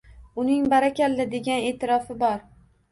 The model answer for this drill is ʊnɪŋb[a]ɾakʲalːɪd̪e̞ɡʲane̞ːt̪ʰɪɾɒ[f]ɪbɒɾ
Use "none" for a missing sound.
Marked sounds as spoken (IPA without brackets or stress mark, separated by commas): a, f